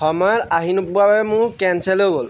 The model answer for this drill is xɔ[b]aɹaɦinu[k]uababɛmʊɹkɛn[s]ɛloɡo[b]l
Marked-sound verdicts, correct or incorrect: incorrect: m, incorrect: p, correct, incorrect: none

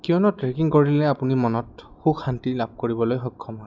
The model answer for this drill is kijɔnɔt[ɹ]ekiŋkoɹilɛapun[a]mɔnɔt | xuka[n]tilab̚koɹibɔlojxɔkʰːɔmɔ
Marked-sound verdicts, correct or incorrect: correct, incorrect: i, correct

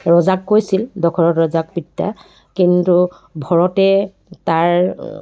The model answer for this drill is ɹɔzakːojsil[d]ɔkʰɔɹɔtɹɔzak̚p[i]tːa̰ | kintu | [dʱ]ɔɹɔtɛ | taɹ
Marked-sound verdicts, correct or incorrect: correct, correct, incorrect: bʱ

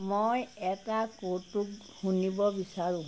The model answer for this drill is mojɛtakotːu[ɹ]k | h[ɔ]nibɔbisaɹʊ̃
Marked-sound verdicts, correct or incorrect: incorrect: none, incorrect: u

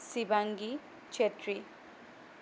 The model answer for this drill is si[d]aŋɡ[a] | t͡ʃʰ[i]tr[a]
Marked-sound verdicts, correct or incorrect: incorrect: b, incorrect: i, incorrect: e, incorrect: i

